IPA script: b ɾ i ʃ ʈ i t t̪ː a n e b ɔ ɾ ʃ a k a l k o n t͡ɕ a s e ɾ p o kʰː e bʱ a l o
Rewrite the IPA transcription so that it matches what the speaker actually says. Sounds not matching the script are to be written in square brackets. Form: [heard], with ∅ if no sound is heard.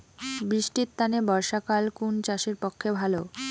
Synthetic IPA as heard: b ɾ i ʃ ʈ i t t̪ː a n e b ɔ ɾ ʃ a k a l k [u] n t͡ɕ a [ʃ] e ɾ p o kʰː e bʱ a l o